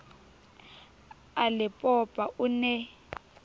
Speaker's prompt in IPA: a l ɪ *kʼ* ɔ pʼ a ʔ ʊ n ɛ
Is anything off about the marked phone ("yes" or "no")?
yes